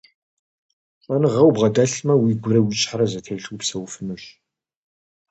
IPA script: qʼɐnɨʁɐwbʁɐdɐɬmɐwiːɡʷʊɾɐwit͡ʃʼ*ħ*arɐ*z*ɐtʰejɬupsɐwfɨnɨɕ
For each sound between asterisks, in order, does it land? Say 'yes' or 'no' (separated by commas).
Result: yes, yes